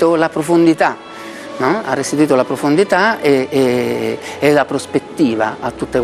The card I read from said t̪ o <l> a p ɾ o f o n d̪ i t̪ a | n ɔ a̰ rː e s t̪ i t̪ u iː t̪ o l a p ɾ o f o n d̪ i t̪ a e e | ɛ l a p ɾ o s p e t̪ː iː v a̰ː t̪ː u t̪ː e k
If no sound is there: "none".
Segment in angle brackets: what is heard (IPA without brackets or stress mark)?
l